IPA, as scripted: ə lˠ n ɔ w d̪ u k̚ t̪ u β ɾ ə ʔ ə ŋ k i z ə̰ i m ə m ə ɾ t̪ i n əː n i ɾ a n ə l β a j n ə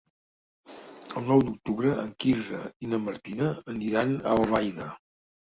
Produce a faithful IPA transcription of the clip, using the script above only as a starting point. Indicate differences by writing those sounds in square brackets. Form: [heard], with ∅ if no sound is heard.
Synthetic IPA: ə lˠ n ɔ w d̪ u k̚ t̪ u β ɾ ə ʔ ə ŋ k i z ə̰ i [n] ə m ə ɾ t̪ i n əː n i ɾ a n ə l β a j n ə